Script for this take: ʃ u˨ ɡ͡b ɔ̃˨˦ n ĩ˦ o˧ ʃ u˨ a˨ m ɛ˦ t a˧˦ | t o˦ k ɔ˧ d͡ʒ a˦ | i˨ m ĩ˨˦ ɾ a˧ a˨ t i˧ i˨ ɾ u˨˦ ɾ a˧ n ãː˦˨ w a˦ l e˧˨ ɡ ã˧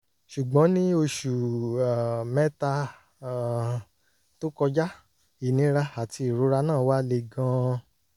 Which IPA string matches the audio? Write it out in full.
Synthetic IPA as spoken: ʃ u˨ ɡ͡b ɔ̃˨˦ n ĩ˦ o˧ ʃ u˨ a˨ m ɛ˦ t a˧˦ | t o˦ k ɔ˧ d͡ʒ a˦ | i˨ n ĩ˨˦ ɾ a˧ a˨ t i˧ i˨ ɾ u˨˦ ɾ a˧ n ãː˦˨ w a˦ l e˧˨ ɡ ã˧

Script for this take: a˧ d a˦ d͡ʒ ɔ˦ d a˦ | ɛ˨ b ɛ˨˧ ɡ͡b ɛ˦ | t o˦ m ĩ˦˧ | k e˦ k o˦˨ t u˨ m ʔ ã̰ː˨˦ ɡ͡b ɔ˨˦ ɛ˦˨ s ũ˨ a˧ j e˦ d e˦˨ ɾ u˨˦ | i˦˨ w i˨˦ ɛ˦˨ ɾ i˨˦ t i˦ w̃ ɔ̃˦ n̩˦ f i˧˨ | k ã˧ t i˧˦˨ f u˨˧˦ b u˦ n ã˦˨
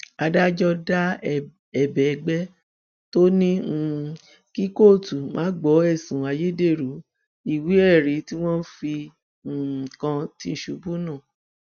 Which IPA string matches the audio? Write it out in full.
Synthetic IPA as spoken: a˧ d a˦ d͡ʒ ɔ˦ d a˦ | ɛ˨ b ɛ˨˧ ɡ͡b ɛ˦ | t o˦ n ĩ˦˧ | k i˦ k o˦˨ t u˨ m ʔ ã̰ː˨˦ ɡ͡b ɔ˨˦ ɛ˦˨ s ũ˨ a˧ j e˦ d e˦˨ ɾ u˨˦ | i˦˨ w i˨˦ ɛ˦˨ ɾ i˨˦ t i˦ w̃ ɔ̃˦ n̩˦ f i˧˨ | k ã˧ t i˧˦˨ ʃ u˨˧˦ b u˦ n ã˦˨

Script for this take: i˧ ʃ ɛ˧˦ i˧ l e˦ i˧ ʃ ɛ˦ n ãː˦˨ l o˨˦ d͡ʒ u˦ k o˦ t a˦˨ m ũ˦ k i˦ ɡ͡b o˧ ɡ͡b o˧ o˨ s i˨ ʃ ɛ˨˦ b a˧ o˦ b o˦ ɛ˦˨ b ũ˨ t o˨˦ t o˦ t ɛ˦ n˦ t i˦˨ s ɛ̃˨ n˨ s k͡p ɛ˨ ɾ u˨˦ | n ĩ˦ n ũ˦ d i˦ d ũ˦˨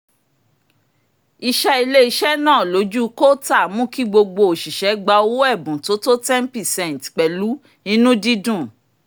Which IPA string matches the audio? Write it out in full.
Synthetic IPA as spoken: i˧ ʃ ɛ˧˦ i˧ l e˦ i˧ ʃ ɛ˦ n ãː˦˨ l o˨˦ d͡ʒ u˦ k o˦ t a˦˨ m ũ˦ k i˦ ɡ͡b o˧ ɡ͡b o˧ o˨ ʃ i˨ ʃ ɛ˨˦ ɡ͡b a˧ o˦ w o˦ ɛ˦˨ b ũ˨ t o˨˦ t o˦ t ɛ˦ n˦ p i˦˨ s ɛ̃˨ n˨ t k͡p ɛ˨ l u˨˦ | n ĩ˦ n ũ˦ d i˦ d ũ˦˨

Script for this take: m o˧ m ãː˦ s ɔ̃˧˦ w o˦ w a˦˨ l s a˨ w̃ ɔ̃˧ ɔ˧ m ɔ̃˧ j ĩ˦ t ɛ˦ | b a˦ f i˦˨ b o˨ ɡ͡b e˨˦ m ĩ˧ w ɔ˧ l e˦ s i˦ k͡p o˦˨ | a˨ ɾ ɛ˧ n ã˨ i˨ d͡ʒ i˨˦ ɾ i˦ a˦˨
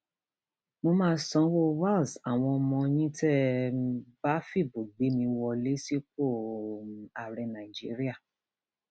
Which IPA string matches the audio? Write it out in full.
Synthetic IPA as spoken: m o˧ m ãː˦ s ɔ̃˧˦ w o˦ w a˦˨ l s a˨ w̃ ɔ̃˧ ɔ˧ m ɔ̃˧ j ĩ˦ t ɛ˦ | b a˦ f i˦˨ b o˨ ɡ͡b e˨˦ m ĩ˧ w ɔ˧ l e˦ s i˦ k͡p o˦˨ | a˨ ɾ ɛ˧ n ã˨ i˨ d͡ʒ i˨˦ ɾ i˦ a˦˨

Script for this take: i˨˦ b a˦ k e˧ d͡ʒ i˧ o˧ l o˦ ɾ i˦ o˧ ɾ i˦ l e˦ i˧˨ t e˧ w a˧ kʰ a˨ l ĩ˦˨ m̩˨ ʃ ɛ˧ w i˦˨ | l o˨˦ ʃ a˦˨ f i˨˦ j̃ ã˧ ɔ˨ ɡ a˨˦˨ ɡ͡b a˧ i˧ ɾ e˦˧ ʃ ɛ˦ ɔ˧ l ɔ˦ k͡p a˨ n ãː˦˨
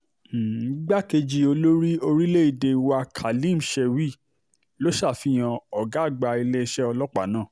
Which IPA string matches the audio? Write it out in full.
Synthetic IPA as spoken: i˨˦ ɡ͡b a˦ k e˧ d͡ʒ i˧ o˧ l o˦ ɾ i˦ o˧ ɾ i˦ l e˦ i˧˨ d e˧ w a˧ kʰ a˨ l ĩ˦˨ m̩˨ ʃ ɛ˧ w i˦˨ | l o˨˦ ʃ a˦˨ f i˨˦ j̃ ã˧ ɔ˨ ɡ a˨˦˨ ɡ͡b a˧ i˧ l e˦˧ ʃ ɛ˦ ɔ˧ l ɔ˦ k͡p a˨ n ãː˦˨

